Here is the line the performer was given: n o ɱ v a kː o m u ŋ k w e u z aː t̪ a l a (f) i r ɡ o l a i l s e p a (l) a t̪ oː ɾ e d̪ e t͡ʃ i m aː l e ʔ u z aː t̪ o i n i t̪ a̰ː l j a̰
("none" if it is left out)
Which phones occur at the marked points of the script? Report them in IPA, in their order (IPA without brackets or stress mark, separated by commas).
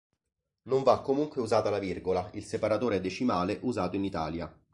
v, ɾ